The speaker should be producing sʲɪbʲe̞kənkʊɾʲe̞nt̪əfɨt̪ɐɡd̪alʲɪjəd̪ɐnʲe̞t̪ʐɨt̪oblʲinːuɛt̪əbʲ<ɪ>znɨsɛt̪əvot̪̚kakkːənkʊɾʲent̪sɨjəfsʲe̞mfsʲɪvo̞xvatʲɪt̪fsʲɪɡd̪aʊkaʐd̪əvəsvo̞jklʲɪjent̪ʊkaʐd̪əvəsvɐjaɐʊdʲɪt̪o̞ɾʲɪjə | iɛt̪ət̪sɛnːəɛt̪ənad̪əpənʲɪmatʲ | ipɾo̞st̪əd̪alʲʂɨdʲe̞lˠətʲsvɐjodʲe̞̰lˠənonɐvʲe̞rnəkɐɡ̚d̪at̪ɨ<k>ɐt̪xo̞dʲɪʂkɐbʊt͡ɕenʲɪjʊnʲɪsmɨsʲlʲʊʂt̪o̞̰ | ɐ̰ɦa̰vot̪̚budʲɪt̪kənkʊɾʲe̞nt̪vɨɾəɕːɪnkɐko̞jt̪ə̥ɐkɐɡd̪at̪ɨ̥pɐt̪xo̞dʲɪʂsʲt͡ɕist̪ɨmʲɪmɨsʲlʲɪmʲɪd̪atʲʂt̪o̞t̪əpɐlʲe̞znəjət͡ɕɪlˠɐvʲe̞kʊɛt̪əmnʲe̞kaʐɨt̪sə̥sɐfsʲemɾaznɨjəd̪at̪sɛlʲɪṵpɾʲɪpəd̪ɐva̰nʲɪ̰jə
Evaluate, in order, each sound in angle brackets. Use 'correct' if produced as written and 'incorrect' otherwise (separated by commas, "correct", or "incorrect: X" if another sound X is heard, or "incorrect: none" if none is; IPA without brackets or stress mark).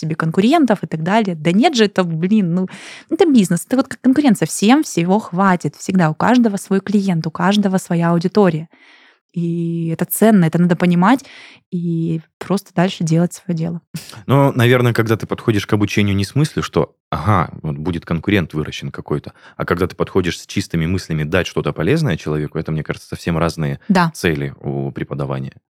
incorrect: i, incorrect: p